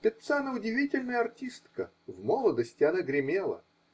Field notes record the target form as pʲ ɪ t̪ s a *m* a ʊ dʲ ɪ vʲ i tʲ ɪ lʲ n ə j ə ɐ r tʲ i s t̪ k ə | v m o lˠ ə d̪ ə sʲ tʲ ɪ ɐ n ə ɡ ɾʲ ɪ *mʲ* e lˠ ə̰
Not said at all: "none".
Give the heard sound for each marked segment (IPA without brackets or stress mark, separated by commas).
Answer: n, mʲ